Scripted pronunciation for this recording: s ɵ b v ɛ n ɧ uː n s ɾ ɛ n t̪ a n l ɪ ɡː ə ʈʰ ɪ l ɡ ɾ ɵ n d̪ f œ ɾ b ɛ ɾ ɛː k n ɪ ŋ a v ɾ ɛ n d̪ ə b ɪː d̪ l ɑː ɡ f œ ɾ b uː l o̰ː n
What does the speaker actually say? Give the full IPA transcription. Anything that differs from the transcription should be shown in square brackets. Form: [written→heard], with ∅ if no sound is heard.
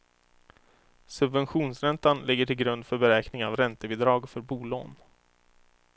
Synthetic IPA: s ɵ b v ɛ n ɧ uː n s ɾ ɛ n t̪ a n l ɪ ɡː ə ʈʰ ɪ l ɡ ɾ ɵ n d̪ f œ ɾ b ɛ ɾ ɛː k n ɪ ŋ a v ɾ ɛ n [d̪→t̪] ə b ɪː d̪ [l→ɾ] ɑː ɡ f œ ɾ b uː l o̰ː n